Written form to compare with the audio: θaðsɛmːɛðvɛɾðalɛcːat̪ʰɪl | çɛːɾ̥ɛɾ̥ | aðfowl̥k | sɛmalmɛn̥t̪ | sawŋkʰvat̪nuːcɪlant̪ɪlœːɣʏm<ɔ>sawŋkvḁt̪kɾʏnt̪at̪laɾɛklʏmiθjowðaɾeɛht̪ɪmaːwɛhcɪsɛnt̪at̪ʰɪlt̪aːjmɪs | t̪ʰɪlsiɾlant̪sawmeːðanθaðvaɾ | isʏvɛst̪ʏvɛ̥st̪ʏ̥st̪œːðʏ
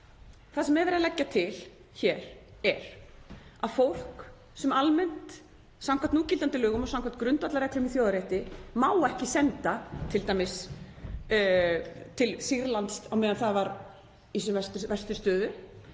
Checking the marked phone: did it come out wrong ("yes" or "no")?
no